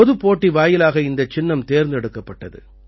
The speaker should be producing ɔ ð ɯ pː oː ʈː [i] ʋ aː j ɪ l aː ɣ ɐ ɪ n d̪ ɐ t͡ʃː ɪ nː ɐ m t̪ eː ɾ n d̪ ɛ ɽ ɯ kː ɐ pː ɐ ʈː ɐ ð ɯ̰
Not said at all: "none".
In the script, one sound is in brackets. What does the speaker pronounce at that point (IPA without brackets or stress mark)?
i